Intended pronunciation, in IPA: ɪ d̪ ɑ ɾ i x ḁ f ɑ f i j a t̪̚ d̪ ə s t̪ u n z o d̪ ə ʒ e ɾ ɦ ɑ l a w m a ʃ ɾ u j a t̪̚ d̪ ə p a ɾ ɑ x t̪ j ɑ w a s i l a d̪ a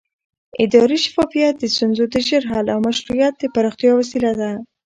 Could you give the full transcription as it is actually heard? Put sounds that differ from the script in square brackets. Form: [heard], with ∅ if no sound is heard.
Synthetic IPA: ɪ d̪ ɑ ɾ i [ʃ] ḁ f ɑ f i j a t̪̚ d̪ ə s t̪ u n z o d̪ ə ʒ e ɾ ɦ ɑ l a w m a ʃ ɾ u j a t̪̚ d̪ ə p a ɾ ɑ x t̪ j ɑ w a s i l a d̪ a